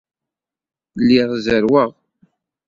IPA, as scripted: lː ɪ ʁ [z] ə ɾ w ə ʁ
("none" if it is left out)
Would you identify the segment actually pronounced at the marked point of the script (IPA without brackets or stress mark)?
z